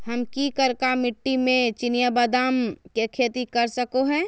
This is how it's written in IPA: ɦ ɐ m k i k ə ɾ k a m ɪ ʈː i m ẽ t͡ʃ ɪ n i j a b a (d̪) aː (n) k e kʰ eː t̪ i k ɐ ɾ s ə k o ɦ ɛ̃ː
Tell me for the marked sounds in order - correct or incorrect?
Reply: correct, incorrect

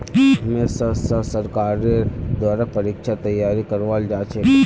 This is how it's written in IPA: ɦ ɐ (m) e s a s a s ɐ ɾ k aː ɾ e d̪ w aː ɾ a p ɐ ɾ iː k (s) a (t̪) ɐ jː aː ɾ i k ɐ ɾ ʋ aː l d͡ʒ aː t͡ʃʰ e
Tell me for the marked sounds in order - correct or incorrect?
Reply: correct, incorrect, correct

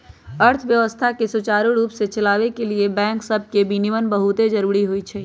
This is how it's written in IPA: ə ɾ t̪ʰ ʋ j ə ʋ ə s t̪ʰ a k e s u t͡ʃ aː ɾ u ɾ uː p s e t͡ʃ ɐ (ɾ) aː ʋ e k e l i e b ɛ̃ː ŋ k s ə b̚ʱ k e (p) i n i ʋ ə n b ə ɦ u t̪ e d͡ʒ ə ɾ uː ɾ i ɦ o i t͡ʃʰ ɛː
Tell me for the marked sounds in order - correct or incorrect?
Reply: incorrect, incorrect

